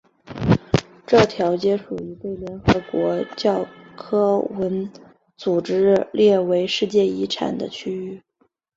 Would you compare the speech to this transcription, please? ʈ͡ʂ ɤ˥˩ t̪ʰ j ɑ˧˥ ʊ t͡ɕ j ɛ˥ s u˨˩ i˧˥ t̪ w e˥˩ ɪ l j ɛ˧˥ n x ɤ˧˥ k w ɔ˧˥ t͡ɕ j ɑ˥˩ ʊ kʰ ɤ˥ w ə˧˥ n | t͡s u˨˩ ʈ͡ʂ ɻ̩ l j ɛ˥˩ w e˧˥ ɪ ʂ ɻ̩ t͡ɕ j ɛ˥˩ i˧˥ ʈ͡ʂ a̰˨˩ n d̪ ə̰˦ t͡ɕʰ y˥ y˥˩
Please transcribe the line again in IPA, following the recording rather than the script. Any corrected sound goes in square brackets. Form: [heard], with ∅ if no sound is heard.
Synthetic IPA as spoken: ʈ͡ʂ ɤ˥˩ t̪ʰ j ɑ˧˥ ʊ t͡ɕ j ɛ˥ [ʂ] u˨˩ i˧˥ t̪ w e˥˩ ɪ l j ɛ˧˥ n x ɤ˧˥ k w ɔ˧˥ t͡ɕ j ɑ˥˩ ʊ kʰ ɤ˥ w ə˧˥ n | t͡s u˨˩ ʈ͡ʂ ɻ̩ l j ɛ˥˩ w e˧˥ ɪ ʂ ɻ̩ t͡ɕ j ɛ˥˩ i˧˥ [ʈ͡ʂʰ] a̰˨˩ n d̪ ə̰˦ t͡ɕʰ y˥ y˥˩

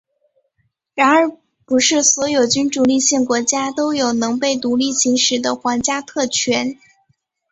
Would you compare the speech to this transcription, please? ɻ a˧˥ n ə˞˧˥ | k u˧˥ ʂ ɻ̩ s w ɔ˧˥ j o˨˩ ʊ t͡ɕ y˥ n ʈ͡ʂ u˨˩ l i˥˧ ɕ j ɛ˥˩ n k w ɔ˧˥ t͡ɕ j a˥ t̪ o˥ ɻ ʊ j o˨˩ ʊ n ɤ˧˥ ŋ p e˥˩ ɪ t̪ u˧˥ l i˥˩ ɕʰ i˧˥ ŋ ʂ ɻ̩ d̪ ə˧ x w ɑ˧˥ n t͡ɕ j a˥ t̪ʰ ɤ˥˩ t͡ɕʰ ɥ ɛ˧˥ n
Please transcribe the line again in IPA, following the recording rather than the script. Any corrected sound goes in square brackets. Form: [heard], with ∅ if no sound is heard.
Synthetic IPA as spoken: ɻ a˧˥ n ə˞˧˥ | [p] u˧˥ ʂ ɻ̩ s w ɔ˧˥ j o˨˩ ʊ t͡ɕ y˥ n ʈ͡ʂ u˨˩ l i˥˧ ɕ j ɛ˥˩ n k w ɔ˧˥ t͡ɕ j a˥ t̪ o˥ [∅] ʊ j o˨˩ ʊ n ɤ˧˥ ŋ p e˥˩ ɪ t̪ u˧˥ l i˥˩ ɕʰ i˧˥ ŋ ʂ ɻ̩ d̪ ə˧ x w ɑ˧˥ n t͡ɕ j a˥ t̪ʰ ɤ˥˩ t͡ɕʰ ɥ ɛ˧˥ n

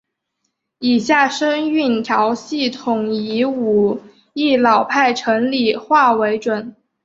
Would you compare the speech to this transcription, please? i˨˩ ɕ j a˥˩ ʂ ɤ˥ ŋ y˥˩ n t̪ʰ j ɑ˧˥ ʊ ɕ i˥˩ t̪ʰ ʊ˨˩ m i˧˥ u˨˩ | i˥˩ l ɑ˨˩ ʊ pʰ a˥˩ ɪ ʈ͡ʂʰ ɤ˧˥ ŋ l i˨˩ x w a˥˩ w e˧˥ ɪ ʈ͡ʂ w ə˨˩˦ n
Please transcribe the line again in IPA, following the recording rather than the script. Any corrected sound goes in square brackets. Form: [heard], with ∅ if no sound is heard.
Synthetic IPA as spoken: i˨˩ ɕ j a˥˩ ʂ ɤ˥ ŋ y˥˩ n t̪ʰ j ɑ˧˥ ʊ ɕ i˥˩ t̪ʰ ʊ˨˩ [ŋ] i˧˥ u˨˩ | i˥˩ l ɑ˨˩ ʊ pʰ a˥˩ ɪ ʈ͡ʂʰ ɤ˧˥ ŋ l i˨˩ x w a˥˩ w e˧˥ ɪ ʈ͡ʂ w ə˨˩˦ n

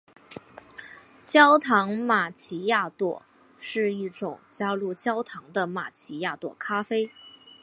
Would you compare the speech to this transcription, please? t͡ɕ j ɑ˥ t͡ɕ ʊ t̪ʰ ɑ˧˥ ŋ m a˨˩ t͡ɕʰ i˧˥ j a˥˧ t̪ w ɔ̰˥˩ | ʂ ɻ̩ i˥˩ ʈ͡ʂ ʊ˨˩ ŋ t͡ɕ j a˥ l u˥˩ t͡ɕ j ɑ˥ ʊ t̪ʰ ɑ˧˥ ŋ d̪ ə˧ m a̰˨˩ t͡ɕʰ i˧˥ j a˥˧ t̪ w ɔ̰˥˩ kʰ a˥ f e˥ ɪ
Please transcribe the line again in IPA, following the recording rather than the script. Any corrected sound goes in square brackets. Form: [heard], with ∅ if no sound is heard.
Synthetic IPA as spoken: t͡ɕ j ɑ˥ [∅] ʊ t̪ʰ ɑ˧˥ ŋ m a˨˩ t͡ɕʰ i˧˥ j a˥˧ t̪ w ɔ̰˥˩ | ʂ ɻ̩ i˥˩ ʈ͡ʂ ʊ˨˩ ŋ t͡ɕ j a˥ l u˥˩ t͡ɕ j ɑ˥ ʊ t̪ʰ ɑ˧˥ ŋ d̪ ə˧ m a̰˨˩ t͡ɕʰ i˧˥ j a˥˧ t̪ w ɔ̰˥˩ kʰ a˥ f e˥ ɪ

